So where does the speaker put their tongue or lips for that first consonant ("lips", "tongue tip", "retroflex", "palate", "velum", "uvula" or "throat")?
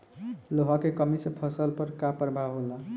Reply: tongue tip